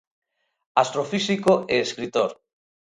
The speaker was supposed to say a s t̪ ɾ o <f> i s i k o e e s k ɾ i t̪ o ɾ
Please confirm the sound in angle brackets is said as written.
yes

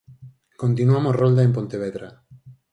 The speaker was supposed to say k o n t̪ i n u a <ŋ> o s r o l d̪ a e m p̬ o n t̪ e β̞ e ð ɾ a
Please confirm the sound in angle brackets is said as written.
no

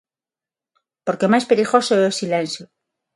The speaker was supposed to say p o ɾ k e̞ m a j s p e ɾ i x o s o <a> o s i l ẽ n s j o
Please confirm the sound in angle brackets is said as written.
no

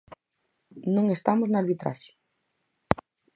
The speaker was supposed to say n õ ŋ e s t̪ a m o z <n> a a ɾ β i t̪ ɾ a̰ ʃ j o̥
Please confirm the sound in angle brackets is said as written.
yes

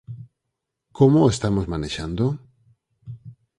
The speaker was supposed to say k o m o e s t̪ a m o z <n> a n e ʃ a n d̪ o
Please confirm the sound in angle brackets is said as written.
no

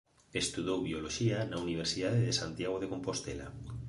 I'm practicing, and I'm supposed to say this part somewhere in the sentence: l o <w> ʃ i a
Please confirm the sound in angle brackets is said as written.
no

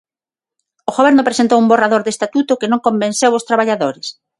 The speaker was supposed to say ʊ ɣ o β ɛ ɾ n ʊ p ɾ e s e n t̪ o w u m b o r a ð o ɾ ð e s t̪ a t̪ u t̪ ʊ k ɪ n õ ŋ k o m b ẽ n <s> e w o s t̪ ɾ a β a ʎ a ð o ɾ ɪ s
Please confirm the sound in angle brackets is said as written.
yes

